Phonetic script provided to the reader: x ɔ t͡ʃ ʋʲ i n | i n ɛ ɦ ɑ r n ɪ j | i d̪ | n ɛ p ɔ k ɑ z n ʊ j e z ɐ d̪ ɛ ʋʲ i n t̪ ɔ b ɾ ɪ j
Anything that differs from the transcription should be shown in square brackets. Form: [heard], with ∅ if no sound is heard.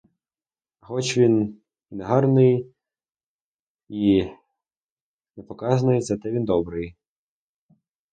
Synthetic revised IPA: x ɔ t͡ʃ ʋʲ i n | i n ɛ ɦ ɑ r n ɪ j | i [∅] | n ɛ p ɔ k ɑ z n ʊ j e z ɐ [t̪] ɛ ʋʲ i n [d̪] ɔ b ɾ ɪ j